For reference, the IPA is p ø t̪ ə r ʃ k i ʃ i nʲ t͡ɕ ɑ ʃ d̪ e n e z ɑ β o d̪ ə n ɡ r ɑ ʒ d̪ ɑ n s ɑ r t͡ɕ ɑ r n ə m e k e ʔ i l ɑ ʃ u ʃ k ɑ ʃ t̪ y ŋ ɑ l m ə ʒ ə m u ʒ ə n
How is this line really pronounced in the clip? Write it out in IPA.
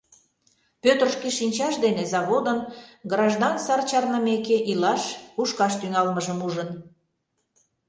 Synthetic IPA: p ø t̪ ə r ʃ k i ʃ i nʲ t͡ɕ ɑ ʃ d̪ e n e z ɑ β o d̪ ə n ɡ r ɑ ʒ d̪ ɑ n s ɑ r t͡ɕ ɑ r n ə m e k e ʔ i l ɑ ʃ u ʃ k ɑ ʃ t̪ y ŋ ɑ l m ə ʒ ə m u ʒ ə n